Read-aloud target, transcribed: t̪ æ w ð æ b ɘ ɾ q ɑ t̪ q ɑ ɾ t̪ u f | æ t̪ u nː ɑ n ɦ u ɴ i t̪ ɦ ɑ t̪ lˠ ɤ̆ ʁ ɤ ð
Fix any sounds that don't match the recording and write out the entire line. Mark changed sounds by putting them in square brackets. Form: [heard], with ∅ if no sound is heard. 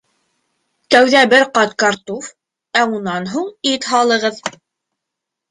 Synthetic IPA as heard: t̪ æ w ð æ b ɘ ɾ q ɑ t̪ [k] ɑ ɾ t̪ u f | æ [∅] u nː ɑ n ɦ u ɴ i t̪ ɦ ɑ [∅] lˠ ɤ̆ ʁ ɤ ð